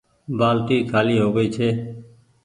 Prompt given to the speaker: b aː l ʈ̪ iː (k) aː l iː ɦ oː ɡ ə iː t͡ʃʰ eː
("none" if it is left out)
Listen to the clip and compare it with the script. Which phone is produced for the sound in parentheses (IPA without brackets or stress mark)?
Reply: kʰ